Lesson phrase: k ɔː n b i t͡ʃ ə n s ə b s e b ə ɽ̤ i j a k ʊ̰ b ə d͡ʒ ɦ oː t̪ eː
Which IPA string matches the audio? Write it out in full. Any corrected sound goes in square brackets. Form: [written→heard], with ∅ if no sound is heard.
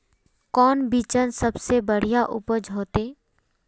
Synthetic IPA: k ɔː n b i t͡ʃ ə n s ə b s e b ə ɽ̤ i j a [k→ʔ] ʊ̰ [b→p] ə d͡ʒ ɦ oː t̪ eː